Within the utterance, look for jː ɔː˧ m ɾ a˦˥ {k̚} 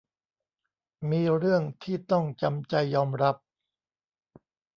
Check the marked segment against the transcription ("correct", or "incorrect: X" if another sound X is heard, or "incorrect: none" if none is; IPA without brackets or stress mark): incorrect: p̚